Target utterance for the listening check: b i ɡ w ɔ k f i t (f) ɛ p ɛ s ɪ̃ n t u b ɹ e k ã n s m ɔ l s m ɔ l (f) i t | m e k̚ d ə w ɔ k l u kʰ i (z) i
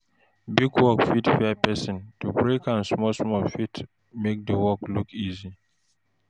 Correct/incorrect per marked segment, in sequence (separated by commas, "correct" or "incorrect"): correct, correct, correct